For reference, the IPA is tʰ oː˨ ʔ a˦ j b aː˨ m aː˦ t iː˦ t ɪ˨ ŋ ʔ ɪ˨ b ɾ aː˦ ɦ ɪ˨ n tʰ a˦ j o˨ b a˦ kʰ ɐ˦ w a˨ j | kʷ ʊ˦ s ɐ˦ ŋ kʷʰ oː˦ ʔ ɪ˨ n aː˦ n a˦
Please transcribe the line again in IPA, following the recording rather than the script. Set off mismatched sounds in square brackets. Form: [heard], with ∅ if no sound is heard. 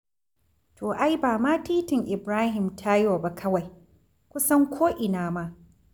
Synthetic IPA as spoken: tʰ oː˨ ʔ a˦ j b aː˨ m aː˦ t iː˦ t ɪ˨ ŋ ʔ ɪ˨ b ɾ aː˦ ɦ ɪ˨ [m] tʰ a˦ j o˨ b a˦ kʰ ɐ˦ w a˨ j | kʷ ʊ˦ s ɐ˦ ŋ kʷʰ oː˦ ʔ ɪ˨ n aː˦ [m] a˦

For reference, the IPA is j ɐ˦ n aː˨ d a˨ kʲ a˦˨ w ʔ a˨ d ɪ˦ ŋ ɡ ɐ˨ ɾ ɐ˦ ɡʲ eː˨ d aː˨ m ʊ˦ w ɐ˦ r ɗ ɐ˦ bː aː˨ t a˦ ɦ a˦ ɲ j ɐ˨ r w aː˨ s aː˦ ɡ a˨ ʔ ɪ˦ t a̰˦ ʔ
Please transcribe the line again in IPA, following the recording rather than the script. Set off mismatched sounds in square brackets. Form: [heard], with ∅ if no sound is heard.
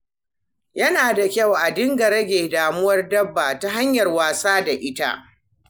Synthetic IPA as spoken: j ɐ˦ n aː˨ d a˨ kʲ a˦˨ w ʔ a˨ d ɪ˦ ŋ ɡ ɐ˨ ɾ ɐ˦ ɡʲ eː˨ d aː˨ m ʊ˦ w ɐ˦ r [d] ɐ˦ bː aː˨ t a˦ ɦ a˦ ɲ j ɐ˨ r w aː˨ s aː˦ [d] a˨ ʔ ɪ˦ t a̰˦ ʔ

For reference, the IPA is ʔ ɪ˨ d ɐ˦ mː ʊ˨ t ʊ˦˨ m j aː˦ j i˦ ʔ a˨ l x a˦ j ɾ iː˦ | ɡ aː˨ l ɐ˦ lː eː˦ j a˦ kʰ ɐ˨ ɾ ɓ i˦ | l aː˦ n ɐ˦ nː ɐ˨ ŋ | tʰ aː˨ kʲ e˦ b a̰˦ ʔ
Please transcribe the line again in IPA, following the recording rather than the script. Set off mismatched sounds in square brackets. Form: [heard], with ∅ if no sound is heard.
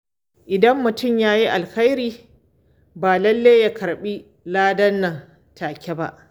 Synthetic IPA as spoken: ʔ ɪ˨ d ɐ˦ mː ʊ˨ t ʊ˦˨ m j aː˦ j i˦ ʔ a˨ l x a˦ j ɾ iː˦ | [b] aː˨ l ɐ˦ lː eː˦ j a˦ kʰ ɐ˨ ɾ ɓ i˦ | l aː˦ [d] ɐ˦ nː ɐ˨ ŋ | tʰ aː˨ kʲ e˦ b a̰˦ ʔ

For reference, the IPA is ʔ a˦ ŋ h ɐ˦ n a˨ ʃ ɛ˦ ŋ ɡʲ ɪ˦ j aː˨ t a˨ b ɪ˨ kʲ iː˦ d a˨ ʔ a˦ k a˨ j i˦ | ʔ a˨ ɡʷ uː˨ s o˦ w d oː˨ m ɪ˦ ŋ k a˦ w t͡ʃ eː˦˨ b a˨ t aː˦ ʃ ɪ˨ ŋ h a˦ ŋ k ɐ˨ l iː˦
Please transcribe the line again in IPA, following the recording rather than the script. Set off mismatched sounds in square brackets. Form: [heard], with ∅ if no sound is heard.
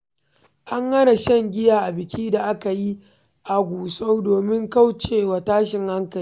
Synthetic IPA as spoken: ʔ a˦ ŋ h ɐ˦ n a˨ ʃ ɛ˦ ŋ ɡʲ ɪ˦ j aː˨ [ʔ] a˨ b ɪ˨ kʲ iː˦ d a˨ ʔ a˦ k a˨ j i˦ | ʔ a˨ ɡʷ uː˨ s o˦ w d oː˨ m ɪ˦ ŋ k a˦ w t͡ʃ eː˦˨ [w] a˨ t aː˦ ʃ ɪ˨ ŋ h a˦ ŋ k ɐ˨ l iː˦

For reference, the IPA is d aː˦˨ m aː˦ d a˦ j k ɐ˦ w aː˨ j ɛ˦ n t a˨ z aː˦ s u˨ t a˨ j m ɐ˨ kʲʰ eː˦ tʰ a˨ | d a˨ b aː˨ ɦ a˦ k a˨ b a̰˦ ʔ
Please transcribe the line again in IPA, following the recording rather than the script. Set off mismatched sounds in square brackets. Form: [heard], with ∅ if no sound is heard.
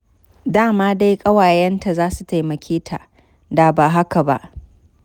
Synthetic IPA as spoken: d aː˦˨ m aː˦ d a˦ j [kʼ] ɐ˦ w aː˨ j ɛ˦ n t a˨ z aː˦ s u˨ t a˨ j m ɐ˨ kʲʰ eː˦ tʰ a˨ | d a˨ b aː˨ ɦ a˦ k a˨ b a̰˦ ʔ

